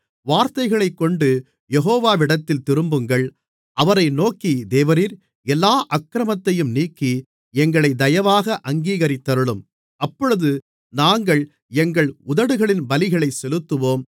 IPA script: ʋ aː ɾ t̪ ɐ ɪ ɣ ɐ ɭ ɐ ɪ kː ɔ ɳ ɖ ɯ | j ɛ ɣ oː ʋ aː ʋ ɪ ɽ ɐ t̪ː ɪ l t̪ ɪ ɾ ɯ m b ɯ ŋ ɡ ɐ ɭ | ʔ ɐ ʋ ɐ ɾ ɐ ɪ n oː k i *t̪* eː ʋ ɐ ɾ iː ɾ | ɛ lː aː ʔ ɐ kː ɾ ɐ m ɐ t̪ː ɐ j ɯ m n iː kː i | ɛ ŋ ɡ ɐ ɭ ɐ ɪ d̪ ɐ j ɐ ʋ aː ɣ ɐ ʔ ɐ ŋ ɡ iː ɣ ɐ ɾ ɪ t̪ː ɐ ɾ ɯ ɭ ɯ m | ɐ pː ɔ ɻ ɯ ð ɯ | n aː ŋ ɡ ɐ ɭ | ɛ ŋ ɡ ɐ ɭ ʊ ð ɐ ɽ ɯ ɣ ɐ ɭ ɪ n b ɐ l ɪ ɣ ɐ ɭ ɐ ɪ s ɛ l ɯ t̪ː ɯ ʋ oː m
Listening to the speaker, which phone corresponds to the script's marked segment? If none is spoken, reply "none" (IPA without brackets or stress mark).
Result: d̪